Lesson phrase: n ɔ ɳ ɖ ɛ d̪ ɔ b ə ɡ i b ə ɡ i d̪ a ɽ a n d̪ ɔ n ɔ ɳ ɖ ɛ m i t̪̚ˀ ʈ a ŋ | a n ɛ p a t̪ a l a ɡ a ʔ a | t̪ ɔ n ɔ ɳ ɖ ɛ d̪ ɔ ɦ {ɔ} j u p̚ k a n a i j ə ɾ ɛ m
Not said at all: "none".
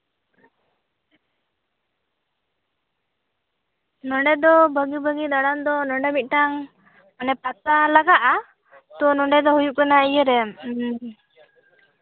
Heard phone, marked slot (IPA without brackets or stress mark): u